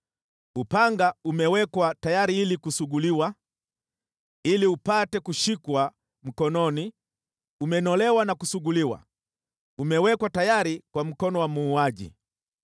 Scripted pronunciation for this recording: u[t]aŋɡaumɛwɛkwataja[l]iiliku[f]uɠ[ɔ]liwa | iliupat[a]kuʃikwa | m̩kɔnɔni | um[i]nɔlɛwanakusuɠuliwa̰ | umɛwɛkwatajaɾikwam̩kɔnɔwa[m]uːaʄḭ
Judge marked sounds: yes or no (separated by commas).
no, no, no, no, no, no, yes